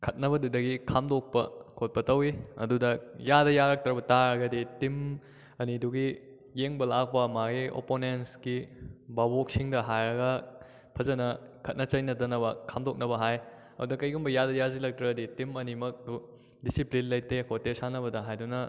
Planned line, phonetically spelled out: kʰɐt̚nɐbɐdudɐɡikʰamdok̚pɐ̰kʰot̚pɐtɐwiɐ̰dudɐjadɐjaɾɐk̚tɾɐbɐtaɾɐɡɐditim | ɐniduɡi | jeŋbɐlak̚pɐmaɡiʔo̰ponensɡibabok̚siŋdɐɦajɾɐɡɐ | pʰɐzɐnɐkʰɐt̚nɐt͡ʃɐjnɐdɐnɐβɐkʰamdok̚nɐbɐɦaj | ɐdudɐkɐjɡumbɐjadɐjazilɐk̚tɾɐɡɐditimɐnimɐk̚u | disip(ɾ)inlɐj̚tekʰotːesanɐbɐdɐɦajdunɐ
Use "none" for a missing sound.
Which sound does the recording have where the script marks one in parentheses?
l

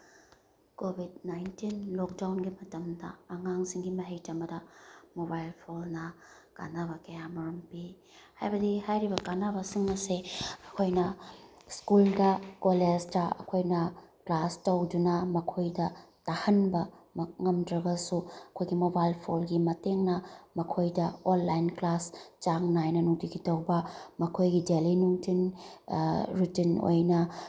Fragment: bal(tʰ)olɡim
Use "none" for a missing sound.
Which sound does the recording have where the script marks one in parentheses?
pʰ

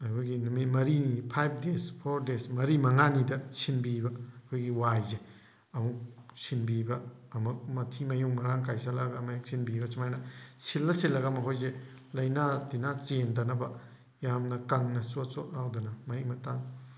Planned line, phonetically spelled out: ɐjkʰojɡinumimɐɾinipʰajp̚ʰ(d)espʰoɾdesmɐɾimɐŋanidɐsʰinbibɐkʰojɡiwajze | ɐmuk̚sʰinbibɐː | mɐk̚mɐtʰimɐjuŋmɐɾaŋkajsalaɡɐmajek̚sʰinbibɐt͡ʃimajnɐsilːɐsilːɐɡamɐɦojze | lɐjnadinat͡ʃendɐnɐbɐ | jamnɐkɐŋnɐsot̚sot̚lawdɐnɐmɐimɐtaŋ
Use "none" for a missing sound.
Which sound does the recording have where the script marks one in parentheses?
d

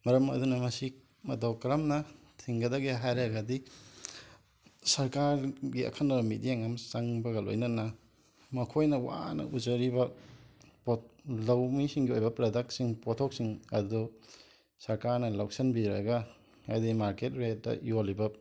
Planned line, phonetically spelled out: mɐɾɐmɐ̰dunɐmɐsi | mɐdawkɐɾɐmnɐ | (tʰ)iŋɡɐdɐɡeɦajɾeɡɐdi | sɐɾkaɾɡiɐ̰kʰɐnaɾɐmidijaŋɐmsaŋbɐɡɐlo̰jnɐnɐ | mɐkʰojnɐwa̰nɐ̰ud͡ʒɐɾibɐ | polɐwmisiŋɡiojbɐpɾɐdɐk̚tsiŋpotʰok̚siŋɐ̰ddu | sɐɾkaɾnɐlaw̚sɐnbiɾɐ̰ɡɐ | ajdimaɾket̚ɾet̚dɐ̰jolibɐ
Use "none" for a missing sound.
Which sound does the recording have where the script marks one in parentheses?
tʰ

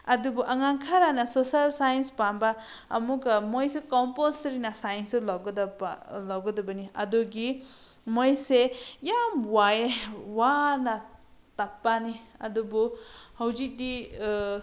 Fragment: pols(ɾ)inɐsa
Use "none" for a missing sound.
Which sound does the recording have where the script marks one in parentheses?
ɾ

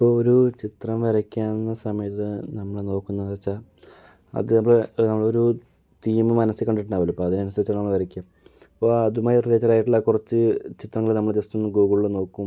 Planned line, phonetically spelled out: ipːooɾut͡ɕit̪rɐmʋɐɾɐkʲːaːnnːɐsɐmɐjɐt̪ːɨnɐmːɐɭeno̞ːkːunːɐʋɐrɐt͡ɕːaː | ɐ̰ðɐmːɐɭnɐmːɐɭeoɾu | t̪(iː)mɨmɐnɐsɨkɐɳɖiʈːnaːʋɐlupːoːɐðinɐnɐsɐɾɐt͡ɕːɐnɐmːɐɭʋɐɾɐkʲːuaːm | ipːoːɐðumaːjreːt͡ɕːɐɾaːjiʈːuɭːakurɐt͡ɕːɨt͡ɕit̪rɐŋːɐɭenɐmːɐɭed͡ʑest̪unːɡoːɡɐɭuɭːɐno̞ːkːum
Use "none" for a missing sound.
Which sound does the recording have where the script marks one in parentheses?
iː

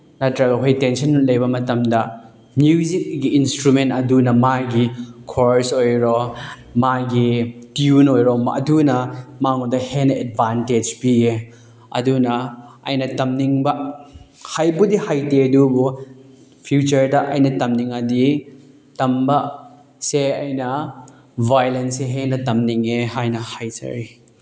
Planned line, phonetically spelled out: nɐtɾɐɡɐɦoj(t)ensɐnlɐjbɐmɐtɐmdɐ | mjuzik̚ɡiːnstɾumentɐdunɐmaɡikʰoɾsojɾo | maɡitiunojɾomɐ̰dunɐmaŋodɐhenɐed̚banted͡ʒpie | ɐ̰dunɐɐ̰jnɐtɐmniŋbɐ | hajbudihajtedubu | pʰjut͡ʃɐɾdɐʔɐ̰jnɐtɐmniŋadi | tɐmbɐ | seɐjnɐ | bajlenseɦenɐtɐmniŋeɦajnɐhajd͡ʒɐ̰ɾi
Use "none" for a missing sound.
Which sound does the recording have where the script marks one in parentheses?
t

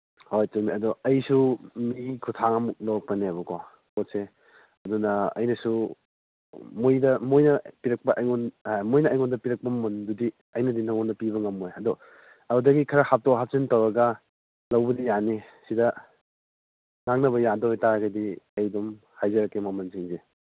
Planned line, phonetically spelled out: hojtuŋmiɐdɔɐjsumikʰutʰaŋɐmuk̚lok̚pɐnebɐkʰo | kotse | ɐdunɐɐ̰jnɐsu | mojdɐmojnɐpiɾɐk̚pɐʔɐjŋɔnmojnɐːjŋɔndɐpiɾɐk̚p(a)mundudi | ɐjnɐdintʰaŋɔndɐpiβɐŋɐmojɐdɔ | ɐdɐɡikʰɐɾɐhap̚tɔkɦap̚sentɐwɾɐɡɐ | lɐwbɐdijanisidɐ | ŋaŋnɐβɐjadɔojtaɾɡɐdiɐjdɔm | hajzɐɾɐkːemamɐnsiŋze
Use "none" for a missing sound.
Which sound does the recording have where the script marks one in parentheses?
ɐ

